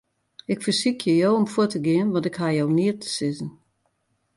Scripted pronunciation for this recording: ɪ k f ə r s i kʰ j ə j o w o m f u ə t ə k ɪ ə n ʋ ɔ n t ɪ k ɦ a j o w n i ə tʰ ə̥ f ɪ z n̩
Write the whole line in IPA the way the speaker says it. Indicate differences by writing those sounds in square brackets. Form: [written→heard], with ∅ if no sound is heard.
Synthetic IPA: ɪ k f ə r s i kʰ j ə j o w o m f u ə t ə [k→ɡ] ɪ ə n ʋ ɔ n t ɪ k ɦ a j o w n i ə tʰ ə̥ [f→s] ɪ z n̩